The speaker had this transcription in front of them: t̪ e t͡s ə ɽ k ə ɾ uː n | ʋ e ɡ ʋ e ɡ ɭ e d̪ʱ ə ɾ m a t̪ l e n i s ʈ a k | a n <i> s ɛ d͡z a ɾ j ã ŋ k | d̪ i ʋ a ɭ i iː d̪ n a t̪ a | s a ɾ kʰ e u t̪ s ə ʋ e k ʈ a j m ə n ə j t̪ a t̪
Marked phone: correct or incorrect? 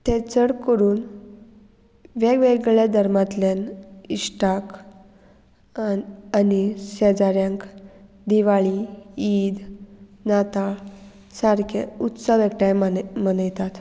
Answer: correct